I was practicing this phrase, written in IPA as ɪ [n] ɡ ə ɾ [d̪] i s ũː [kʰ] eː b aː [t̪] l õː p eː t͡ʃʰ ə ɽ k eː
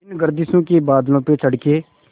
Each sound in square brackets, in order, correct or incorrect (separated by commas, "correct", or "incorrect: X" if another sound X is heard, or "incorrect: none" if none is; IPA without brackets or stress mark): correct, correct, incorrect: k, incorrect: d̪